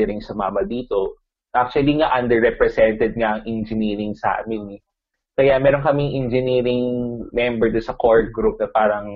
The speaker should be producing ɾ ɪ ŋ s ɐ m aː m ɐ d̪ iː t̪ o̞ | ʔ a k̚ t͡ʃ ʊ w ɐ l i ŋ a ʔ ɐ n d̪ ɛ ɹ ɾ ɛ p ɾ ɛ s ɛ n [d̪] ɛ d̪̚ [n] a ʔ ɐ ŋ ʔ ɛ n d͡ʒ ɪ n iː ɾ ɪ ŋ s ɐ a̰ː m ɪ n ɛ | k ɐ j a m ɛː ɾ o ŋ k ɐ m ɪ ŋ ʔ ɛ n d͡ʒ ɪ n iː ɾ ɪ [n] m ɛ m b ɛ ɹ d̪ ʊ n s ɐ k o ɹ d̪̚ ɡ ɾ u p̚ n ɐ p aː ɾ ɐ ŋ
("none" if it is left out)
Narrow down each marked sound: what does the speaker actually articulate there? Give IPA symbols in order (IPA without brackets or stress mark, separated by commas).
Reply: t̪, ŋ, ŋ